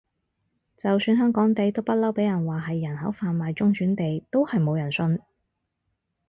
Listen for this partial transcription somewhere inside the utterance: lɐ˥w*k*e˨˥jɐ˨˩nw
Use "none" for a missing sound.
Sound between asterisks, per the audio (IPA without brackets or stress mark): p